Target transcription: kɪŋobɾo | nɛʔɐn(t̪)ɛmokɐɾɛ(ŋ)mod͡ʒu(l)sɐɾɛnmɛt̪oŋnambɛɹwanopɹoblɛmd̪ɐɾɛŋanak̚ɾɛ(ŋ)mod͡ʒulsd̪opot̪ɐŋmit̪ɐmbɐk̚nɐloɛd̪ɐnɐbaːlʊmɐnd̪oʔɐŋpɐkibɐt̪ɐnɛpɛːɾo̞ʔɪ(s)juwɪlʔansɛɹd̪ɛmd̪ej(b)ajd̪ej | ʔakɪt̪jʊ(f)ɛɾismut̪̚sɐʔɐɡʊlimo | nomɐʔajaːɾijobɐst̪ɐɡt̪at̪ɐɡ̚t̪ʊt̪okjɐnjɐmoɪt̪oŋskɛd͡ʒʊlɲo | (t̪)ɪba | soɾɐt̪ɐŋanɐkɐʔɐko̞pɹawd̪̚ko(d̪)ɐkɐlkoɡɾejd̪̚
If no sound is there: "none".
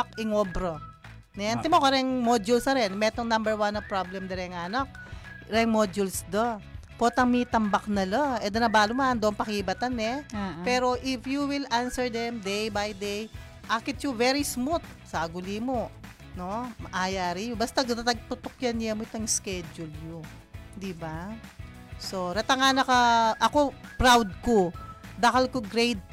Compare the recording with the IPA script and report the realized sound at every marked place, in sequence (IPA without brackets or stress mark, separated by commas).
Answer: t̪, ŋ, l, ŋ, f, b, v, d̪, d̪